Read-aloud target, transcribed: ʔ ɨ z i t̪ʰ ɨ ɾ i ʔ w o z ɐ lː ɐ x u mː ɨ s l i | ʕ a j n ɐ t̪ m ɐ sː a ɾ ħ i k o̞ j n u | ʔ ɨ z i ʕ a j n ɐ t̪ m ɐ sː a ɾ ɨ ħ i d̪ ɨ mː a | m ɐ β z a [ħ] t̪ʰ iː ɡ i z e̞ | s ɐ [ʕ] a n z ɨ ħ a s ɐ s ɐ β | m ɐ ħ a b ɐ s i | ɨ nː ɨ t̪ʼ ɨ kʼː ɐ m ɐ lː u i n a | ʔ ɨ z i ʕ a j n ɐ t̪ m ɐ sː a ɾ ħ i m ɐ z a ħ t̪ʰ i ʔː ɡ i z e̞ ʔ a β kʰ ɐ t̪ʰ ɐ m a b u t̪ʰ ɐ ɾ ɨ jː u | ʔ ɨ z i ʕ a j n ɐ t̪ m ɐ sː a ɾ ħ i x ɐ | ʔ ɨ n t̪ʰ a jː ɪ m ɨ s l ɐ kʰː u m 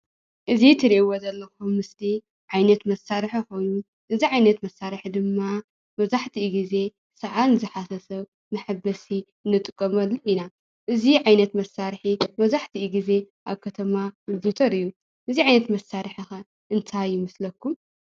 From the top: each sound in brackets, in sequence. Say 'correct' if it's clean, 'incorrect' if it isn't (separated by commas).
correct, correct